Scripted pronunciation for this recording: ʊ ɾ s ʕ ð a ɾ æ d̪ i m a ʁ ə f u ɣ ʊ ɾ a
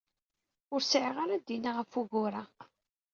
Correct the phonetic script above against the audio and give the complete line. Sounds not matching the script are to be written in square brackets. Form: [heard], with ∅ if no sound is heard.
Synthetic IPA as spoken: ʊ ɾ s ʕ [ʁ] a ɾ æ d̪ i [n] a ʁ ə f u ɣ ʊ ɾ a